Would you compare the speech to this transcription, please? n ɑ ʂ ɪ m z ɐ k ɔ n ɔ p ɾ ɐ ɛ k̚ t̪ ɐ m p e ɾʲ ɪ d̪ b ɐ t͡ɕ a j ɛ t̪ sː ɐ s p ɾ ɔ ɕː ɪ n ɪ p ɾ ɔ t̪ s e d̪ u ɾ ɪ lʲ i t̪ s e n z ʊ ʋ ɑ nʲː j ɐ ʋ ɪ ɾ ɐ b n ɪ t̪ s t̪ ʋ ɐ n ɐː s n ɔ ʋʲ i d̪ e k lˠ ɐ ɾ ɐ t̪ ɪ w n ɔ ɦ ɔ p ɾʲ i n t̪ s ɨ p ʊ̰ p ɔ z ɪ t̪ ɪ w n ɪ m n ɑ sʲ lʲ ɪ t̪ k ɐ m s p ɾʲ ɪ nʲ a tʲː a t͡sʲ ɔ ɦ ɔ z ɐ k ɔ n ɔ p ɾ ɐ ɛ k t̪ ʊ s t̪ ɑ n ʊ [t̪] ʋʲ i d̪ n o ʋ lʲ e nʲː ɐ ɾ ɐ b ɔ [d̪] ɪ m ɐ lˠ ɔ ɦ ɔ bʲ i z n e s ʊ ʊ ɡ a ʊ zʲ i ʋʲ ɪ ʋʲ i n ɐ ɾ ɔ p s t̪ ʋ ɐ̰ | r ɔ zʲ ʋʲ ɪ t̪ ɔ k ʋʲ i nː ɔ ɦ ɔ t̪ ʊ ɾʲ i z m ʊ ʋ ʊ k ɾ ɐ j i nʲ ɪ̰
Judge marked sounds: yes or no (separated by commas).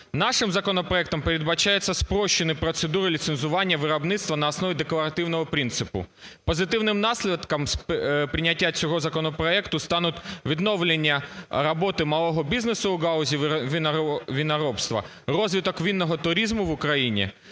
yes, no